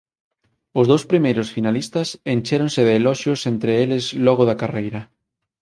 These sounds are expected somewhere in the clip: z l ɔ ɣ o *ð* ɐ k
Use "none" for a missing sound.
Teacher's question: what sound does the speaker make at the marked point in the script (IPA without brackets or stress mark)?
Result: ð